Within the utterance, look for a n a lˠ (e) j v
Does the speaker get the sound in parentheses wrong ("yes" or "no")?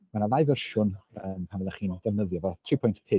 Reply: yes